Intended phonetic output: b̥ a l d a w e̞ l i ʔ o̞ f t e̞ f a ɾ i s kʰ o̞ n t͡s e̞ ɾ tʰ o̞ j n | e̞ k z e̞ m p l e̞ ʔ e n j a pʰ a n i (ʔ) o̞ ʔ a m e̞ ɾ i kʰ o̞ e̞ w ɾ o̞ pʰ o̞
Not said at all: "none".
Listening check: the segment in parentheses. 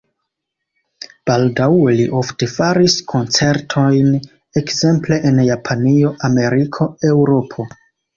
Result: none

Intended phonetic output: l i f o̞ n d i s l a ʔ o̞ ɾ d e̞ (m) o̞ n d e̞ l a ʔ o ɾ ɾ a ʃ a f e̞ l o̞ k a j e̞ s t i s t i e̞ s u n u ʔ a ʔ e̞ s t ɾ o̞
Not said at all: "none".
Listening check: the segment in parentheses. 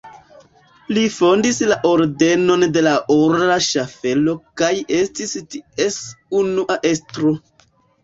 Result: n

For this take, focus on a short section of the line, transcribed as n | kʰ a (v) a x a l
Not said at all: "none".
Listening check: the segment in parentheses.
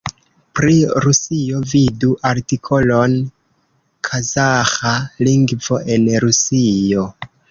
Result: z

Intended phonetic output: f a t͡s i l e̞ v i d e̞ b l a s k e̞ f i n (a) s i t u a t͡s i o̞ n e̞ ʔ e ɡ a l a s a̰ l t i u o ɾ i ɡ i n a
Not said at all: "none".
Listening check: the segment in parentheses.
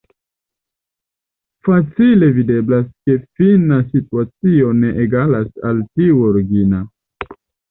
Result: a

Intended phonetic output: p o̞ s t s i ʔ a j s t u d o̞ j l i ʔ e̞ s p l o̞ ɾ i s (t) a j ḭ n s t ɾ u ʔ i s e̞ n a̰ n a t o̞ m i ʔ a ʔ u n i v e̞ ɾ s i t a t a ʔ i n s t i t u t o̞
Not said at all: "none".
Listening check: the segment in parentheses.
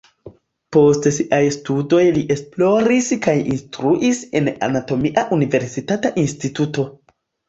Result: k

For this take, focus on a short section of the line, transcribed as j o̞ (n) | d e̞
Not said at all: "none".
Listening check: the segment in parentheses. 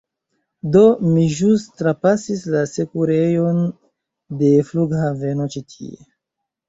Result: n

